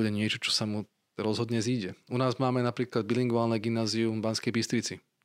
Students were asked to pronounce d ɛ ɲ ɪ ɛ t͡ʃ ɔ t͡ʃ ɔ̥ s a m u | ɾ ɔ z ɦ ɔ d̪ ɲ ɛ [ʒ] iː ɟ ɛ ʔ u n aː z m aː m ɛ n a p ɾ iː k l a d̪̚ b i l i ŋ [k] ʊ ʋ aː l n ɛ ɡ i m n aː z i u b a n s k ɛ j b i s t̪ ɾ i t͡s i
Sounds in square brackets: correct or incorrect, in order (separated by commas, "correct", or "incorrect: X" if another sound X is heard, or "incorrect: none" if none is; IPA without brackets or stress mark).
incorrect: z, incorrect: ɡ